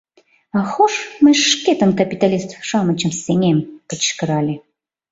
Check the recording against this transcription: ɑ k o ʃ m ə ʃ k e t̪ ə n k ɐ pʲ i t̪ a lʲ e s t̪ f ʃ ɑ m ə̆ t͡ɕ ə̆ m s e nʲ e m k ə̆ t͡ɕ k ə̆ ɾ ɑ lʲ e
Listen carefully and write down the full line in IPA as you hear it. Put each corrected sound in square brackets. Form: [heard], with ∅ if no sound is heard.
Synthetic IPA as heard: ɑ [x] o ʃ m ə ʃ k e t̪ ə n k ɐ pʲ i t̪ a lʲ [i] s t̪ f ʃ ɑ m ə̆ t͡ɕ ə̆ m s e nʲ e m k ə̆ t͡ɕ k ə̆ ɾ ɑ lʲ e